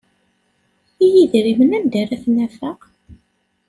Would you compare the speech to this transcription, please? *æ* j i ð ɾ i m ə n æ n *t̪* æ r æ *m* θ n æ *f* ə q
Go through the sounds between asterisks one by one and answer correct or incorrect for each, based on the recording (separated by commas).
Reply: incorrect, incorrect, incorrect, correct